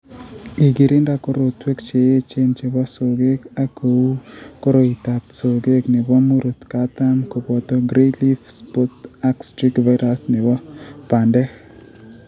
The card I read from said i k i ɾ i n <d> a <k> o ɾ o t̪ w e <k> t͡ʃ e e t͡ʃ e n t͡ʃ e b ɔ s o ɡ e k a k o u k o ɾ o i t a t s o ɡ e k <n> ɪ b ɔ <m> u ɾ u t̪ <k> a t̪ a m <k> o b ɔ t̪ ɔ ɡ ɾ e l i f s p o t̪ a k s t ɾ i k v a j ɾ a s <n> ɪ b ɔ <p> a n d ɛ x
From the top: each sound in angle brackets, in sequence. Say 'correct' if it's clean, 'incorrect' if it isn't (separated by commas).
correct, correct, correct, correct, correct, correct, correct, correct, correct